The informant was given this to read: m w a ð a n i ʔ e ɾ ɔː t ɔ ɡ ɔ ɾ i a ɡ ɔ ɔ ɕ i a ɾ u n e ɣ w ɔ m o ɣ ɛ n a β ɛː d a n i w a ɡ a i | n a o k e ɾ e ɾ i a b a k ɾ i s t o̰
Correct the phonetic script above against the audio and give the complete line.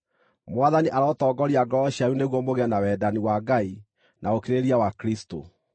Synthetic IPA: m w a ð a n i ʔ a ɾ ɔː t ɔ ɡ ɔ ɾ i a ɡ ɔ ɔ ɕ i a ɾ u n e ɣ w ɔ m o ɣ ɛ n a w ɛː d a n i w a ɡ a i | n a o k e ɾ e ɾ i a w a k ɾ i s t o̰